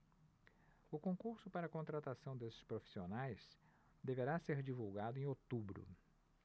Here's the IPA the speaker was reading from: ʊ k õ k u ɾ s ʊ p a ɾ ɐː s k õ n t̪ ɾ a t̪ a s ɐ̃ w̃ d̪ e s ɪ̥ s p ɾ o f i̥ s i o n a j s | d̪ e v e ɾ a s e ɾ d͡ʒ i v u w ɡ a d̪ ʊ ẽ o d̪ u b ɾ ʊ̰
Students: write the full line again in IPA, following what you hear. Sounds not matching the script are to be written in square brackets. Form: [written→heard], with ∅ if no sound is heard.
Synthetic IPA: ʊ k õ k u ɾ s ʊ p a ɾ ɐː [s→∅] k õ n t̪ ɾ a t̪ a s ɐ̃ w̃ d̪ e s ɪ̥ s p ɾ o f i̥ s i o n a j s | d̪ e v e ɾ a s e ɾ d͡ʒ i v u w ɡ a d̪ ʊ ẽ o [d̪→t̪] u b ɾ ʊ̰